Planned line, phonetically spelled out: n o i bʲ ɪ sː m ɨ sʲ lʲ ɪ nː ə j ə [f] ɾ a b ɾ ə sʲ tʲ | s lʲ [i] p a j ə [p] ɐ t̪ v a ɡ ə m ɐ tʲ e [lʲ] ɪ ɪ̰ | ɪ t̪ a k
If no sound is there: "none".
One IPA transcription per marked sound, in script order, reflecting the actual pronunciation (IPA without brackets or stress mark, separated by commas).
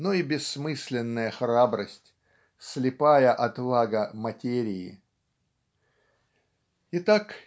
x, ɪ, ʔ, ɾʲ